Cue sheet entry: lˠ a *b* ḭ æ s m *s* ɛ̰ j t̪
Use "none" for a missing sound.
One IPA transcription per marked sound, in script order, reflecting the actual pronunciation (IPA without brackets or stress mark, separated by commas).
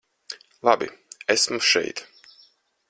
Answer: b, ʃ